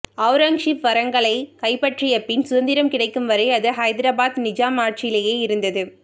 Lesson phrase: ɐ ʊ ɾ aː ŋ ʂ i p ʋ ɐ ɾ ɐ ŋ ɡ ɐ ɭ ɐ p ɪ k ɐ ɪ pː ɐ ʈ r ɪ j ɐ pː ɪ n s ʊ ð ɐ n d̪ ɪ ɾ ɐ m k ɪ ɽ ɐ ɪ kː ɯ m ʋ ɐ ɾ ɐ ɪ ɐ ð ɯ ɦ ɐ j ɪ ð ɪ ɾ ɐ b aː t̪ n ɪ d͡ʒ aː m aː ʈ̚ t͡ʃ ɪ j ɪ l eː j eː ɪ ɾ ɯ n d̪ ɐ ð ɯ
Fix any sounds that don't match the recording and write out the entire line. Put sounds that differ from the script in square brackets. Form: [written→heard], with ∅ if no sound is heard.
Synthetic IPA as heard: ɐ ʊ ɾ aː ŋ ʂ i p ʋ ɐ ɾ ɐ ŋ ɡ ɐ ɭ ɐ [p→∅] ɪ k ɐ ɪ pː ɐ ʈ r ɪ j ɐ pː ɪ n s ʊ ð ɐ n d̪ ɪ ɾ ɐ m k ɪ ɽ ɐ ɪ kː ɯ m ʋ ɐ ɾ ɐ ɪ ɐ ð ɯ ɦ ɐ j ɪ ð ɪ ɾ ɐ b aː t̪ n ɪ d͡ʒ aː m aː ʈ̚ t͡ʃ ɪ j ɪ l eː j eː ɪ ɾ ɯ n d̪ ɐ ð ɯ